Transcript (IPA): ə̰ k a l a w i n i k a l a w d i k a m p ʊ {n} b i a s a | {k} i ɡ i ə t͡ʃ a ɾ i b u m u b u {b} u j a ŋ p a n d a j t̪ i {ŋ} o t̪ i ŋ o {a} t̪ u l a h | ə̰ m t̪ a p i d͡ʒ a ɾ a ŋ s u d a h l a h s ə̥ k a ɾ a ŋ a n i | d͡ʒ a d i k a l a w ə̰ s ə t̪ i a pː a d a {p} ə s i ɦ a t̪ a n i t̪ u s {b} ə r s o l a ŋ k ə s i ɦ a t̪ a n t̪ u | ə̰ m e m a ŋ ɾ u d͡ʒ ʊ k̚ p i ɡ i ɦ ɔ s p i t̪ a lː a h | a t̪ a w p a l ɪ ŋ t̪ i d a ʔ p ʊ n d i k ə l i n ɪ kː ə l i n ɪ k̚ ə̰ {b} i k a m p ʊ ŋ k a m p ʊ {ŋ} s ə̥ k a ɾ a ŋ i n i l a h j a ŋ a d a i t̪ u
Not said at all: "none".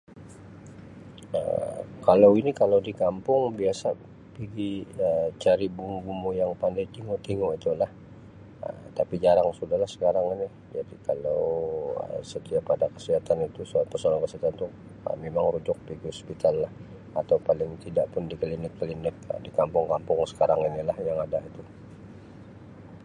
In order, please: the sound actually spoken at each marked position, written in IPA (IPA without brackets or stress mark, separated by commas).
ŋ, p, m, ŋ, i, k, p, d, ŋ